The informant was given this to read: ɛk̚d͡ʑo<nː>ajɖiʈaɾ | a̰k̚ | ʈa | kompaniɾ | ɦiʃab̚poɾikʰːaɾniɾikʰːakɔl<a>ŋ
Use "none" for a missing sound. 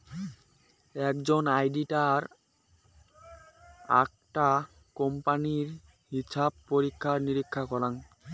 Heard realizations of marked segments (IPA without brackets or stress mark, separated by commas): n, a